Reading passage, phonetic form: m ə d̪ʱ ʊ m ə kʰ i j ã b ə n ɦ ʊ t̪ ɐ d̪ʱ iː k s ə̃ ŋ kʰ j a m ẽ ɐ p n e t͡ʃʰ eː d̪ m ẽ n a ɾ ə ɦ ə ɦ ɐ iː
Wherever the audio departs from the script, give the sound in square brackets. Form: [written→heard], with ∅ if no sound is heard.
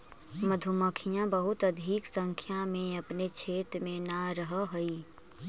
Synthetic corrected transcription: m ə d̪ʱ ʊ m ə kʰ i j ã b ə [n→∅] ɦ ʊ t̪ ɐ d̪ʱ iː k s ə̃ ŋ kʰ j a m ẽ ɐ p n e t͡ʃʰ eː [d̪→t̪] m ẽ n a ɾ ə ɦ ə ɦ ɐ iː